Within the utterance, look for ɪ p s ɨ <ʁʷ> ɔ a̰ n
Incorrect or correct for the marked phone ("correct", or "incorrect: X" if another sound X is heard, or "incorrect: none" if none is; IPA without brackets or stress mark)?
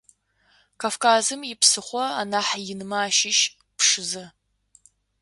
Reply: incorrect: χʷ